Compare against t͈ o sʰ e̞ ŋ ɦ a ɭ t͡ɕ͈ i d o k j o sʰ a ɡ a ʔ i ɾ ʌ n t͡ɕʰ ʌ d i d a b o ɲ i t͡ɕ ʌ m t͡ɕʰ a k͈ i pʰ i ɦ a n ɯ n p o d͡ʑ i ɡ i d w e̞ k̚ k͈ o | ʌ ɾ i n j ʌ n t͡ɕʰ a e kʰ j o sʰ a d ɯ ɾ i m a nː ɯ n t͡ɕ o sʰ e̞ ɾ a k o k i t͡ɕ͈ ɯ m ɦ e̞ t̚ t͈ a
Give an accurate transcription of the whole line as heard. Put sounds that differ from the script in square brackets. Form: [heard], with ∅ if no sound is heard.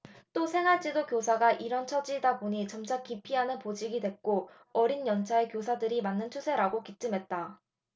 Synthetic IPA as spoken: t͈ o sʰ e̞ ŋ ɦ a ɭ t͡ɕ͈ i d o k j o sʰ a ɡ a ʔ i ɾ ʌ n t͡ɕʰ ʌ [d͡ʑ] i d a b o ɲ i t͡ɕ ʌ m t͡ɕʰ a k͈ i pʰ i ɦ a n ɯ n p o d͡ʑ i ɡ i d w e̞ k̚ k͈ o | ʌ ɾ i n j ʌ n t͡ɕʰ a e [k] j o sʰ a d ɯ ɾ i m a nː ɯ n [t͡ɕʰ] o sʰ e̞ ɾ a [ɡ] o k i t͡ɕ͈ ɯ m ɦ e̞ t̚ t͈ a